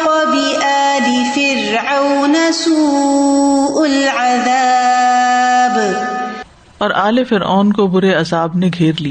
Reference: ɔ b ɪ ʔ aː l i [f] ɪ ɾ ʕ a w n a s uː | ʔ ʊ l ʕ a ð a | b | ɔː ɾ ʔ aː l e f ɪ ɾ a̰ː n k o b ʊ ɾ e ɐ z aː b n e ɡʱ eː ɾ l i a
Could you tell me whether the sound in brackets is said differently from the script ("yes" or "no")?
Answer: no